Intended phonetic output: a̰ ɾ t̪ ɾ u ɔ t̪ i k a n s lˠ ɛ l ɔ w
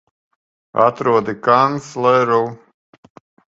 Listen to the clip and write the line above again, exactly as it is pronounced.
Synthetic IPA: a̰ t̪ ɾ u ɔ d̪ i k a n s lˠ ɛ ɾ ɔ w

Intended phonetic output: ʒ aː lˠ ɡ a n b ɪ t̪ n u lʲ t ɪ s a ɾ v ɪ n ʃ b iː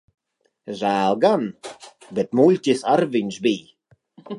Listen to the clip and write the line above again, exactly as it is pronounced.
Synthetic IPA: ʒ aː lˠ ɡ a n b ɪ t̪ m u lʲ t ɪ s a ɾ v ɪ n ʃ b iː

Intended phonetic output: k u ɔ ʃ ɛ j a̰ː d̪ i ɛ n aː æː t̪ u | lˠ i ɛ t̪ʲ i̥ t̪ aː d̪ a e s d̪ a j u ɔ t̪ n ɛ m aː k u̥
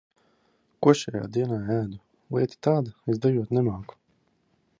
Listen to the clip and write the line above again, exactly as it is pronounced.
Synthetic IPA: k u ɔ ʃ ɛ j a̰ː d̪ i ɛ n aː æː d̪ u | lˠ i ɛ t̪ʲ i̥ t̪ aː d̪ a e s d̪ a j u ɔ t̪ n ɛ m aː k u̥

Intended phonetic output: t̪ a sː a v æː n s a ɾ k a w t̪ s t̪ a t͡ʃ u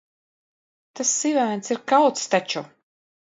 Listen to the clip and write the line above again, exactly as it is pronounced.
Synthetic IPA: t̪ a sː i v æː n s i ɾ k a w t̪ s t̪ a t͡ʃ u

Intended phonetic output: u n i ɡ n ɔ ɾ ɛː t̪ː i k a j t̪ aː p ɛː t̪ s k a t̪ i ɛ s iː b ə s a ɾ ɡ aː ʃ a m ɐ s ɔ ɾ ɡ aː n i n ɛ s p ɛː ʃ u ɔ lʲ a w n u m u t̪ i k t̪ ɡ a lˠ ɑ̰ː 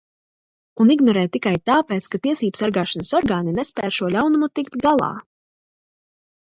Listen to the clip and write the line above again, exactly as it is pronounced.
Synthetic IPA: u n i ɡ n ɔ ɾ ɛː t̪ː i k a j t̪ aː p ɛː t̪ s k a t̪ i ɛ s iː b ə s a ɾ ɡ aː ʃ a n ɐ s ɔ ɾ ɡ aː n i n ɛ s p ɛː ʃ u ɔ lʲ a w n u m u t̪ i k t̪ ɡ a lˠ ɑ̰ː

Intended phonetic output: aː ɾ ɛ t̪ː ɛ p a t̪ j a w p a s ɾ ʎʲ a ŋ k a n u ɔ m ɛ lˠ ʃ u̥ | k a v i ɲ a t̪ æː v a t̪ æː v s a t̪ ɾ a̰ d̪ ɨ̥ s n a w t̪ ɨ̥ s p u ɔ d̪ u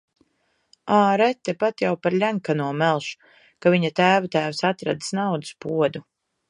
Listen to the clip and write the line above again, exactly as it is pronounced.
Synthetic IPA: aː ɾ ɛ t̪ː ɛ p a t̪ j a w p a ɾ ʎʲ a ŋ k a n u ɔ m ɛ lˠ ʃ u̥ | k a v i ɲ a t̪ æː v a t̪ æː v s a t̪ ɾ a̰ d̪ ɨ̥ s n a w d̪ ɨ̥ s p u ɔ d̪ u

